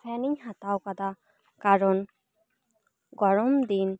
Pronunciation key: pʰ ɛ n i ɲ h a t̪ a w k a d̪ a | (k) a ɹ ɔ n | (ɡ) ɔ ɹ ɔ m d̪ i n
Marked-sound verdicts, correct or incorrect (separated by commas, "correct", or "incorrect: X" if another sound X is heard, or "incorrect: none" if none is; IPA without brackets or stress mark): correct, correct